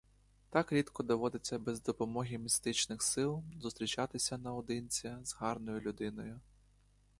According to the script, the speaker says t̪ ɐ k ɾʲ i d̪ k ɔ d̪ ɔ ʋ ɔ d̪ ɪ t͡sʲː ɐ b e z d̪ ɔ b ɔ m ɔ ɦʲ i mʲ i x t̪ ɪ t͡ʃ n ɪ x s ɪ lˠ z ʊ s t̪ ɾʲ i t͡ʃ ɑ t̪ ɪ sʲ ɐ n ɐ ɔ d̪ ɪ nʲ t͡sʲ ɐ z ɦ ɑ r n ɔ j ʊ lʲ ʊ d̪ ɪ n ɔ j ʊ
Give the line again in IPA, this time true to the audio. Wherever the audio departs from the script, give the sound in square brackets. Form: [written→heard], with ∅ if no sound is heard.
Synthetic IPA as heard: t̪ [ɐ→ɑ] k ɾʲ i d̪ k ɔ d̪ ɔ ʋ ɔ d̪ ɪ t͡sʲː ɐ b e z d̪ ɔ [b→p] ɔ m ɔ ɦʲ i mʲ i [x→s] t̪ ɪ t͡ʃ n ɪ x s ɪ lˠ z ʊ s t̪ ɾʲ i t͡ʃ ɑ t̪ ɪ sʲ ɐ n ɐ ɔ d̪ ɪ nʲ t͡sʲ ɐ z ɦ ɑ r n ɔ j ʊ lʲ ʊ d̪ ɪ n ɔ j ʊ

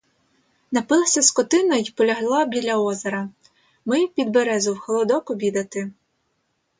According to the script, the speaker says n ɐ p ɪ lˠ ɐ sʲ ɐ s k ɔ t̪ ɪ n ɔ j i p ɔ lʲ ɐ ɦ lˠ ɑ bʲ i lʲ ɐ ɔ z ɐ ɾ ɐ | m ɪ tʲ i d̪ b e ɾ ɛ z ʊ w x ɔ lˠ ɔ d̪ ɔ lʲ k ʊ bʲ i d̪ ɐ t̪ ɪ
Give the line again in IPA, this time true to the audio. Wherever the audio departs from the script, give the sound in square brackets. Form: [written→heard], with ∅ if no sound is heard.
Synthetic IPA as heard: n ɐ p ɪ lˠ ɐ sʲ ɐ s k ɔ t̪ ɪ n ɔ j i p ɔ lʲ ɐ ɦ lˠ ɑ bʲ i lʲ ɐ ɔ z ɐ ɾ ɐ | m ɪ [tʲ→pʲ] i d̪ b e ɾ ɛ z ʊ w x ɔ lˠ ɔ d̪ ɔ [lʲ→∅] k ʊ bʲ i d̪ ɐ t̪ ɪ

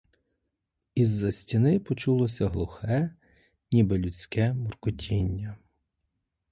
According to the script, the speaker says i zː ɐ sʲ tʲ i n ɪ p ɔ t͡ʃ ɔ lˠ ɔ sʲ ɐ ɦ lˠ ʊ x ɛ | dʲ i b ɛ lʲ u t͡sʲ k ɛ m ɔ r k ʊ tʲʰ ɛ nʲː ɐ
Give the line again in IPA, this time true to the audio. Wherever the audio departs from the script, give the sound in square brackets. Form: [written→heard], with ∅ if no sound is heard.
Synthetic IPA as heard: i zː ɐ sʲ tʲ i n ɪ p ɔ t͡ʃ [ɔ→u] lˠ ɔ sʲ ɐ ɦ lˠ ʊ x ɛ | [dʲ→nʲ] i b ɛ lʲ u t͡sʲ k ɛ m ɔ r k ʊ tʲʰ [ɛ→i] nʲː ɐ

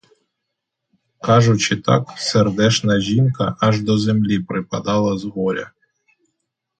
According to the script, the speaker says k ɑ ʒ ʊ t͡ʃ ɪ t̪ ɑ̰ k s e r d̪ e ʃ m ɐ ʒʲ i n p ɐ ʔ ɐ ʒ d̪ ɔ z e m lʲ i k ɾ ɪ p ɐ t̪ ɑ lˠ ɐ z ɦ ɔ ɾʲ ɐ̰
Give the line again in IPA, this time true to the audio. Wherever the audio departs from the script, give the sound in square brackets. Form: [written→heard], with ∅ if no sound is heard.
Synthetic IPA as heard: k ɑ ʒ ʊ t͡ʃ ɪ t̪ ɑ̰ k s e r d̪ [e→ɛ] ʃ [m→n] ɐ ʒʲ i n [p→k] ɐ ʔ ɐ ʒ d̪ ɔ z e m lʲ i [k→p] ɾ ɪ p ɐ [t̪→d̪] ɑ lˠ ɐ z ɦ ɔ ɾʲ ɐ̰

